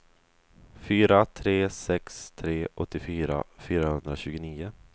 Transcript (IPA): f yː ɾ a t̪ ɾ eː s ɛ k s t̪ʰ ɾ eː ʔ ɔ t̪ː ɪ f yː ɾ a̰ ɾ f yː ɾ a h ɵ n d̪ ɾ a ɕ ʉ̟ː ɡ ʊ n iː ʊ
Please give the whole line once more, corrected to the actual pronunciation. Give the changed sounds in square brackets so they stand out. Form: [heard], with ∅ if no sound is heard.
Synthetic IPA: f yː ɾ a [t̪ʰ] ɾ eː s ɛ k s t̪ʰ ɾ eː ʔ ɔ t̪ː ɪ f yː ɾ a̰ [∅] f yː ɾ a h ɵ n d̪ ɾ a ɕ ʉ̟ː ɡ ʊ n iː ʊ